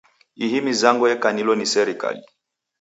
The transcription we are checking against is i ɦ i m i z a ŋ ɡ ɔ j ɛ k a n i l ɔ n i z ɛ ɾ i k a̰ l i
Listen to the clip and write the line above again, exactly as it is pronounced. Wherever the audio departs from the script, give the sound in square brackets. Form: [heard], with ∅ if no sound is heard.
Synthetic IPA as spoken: i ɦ i m i z a ŋ ɡ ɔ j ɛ k a n i l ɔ n i [s] ɛ ɾ i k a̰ l i